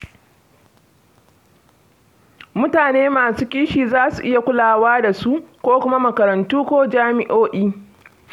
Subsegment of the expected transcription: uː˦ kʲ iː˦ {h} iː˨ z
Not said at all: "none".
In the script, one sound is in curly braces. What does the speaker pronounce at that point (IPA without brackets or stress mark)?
ʃ